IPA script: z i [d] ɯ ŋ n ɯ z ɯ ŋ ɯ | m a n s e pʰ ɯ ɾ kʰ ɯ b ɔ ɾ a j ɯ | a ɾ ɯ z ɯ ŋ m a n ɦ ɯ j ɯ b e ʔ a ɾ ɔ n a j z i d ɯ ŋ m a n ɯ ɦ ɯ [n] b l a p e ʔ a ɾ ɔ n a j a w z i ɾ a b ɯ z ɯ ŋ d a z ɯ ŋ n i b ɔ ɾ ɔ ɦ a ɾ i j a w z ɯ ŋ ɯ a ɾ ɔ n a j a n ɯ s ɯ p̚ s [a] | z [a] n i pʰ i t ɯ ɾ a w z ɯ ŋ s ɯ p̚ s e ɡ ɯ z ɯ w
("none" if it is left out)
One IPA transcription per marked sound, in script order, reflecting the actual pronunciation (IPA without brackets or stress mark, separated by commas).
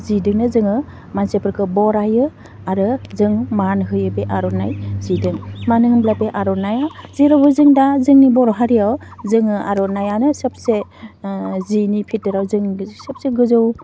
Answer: d, m, e, i